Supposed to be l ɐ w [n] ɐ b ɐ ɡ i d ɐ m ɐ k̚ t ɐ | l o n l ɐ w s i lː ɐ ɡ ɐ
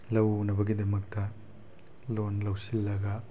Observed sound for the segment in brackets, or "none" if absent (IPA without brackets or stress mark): n